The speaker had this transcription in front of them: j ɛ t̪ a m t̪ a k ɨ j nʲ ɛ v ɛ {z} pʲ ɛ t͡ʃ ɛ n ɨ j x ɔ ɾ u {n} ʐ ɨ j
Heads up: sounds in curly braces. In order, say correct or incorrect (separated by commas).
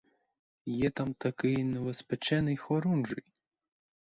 incorrect, correct